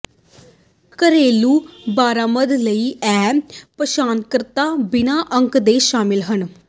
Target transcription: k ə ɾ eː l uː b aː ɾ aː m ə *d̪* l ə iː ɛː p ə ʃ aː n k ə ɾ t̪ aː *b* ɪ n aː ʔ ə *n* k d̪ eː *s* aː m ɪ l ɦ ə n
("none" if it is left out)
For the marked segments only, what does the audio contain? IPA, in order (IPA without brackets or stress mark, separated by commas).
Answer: d̪, b, ŋ, ʃ